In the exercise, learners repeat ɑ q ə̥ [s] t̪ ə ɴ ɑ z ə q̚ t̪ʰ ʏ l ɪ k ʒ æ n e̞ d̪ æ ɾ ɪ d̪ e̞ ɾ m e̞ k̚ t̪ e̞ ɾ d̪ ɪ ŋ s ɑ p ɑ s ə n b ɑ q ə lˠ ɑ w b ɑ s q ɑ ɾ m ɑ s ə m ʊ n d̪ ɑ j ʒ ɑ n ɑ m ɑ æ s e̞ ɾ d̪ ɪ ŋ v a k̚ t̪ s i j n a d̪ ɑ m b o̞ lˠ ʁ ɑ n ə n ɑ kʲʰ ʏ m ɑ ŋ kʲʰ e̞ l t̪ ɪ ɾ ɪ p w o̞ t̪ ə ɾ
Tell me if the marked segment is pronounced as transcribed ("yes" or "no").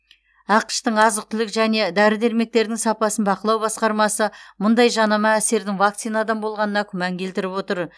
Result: no